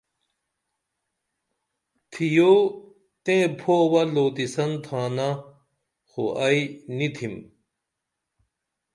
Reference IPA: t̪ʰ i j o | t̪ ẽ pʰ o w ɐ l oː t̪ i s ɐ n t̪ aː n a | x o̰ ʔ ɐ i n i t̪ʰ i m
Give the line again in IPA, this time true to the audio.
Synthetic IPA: t̪ʰ i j o | t̪ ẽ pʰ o w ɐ l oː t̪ i s ɐ n t̪ʰ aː n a | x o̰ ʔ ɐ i n i t̪ʰ i m